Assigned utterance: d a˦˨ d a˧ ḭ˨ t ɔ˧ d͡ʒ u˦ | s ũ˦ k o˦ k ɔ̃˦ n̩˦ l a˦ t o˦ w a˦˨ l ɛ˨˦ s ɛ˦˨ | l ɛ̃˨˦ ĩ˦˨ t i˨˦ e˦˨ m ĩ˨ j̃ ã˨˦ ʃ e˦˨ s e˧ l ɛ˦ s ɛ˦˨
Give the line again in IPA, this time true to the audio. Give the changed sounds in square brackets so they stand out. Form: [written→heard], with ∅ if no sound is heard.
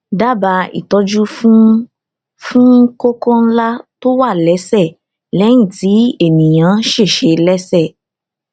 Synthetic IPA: d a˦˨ [d→b] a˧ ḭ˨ t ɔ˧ d͡ʒ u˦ | [s→f] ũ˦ k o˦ k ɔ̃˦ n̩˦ l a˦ t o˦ w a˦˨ l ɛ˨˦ s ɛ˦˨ | l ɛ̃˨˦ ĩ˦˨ t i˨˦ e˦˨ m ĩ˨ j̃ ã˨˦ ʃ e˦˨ [s→ʃ] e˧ l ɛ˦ s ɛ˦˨

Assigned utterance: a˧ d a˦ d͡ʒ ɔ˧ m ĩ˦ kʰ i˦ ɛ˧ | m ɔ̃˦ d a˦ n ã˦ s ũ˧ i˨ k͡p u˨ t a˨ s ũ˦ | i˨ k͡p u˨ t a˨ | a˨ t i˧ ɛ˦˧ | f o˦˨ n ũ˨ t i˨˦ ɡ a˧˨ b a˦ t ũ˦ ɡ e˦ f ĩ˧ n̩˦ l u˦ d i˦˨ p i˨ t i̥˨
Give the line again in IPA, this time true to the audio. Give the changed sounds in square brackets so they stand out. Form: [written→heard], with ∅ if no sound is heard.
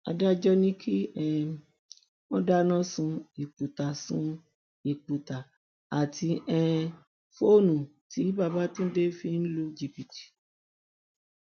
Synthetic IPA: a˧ d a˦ d͡ʒ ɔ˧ [m→n] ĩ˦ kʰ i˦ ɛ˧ | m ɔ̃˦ d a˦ n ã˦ s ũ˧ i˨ k͡p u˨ t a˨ s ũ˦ | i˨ k͡p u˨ t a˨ | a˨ t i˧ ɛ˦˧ | f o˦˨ n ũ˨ t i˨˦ [ɡ→b] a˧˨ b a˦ t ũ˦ [ɡ→d] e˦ f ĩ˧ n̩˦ l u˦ [d→d͡ʒ] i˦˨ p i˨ t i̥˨

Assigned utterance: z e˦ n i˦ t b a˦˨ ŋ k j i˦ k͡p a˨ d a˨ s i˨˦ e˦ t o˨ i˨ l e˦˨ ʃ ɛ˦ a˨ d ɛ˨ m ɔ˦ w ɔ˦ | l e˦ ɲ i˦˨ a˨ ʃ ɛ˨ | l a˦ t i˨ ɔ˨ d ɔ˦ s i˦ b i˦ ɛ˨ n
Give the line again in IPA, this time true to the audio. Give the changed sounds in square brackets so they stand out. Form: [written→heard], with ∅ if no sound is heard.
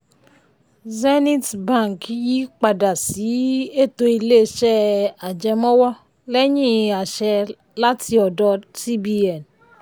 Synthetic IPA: z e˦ n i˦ t b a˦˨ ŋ k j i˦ k͡p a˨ d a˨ s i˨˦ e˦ t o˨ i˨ l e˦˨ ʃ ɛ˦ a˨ [d→d͡ʒ] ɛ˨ m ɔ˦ w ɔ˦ | l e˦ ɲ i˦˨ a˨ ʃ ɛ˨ | l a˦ t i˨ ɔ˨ d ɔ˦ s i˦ b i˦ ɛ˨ n

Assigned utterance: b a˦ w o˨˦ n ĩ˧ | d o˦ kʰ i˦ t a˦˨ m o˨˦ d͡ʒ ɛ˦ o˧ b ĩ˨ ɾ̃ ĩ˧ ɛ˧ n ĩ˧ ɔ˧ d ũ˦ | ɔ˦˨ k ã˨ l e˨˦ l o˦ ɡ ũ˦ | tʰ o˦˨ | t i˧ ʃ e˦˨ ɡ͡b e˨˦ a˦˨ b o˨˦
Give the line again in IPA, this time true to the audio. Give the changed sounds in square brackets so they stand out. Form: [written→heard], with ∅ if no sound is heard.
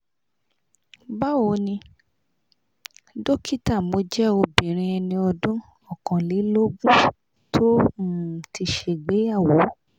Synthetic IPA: b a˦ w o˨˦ n ĩ˧ | d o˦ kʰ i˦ t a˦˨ m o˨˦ d͡ʒ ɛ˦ o˧ b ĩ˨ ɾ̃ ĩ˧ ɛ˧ n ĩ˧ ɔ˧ d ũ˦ | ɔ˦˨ k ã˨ l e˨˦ l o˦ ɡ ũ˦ | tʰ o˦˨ | t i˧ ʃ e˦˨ ɡ͡b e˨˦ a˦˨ [b→w] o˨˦

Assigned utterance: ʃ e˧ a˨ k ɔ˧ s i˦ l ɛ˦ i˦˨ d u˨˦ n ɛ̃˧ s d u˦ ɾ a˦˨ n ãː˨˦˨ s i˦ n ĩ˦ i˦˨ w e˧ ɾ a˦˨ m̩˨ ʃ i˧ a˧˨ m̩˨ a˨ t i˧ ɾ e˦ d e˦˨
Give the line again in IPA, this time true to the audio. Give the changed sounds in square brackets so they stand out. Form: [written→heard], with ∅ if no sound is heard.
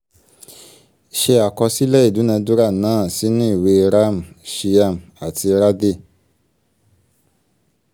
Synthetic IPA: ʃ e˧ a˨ k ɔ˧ s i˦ l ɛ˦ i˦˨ d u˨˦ n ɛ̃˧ [s→∅] d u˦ ɾ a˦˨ n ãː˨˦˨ s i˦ n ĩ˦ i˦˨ w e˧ ɾ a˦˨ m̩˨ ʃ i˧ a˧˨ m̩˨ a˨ t i˧ ɾ [e˦→a˦] d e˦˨

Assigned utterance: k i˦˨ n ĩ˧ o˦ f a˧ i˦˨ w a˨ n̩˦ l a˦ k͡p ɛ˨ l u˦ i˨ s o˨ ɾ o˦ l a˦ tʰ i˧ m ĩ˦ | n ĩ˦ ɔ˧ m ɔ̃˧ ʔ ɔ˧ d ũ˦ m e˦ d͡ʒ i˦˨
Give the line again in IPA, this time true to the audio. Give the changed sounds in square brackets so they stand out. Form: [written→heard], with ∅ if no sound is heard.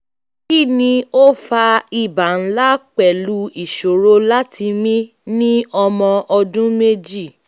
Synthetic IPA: k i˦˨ n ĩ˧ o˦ f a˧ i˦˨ [w→b] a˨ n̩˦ l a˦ k͡p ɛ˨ l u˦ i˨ [s→ʃ] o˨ ɾ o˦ l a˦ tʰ i˧ m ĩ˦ | n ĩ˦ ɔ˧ m ɔ̃˧ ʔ ɔ˧ d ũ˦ m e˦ d͡ʒ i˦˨

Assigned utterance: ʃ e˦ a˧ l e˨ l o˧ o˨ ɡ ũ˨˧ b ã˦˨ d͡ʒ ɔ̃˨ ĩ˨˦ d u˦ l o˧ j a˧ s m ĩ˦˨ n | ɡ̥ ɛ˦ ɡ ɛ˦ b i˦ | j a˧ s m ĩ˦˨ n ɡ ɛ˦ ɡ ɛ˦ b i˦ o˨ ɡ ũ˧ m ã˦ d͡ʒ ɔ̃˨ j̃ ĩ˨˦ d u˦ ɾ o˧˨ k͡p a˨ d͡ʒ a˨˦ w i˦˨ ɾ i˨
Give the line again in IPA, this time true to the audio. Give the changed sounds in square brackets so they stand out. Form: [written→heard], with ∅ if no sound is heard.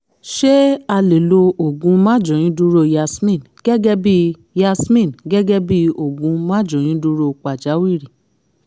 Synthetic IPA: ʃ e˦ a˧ l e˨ l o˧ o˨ ɡ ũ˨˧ [b→m] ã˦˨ d͡ʒ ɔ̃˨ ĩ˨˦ d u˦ [l→ɾ] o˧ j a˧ s m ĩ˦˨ n | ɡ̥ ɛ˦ ɡ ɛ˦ b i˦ | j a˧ s m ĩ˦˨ n ɡ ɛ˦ ɡ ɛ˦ b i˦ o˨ ɡ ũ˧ m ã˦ d͡ʒ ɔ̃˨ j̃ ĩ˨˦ d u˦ ɾ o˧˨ k͡p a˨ d͡ʒ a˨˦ w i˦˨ ɾ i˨

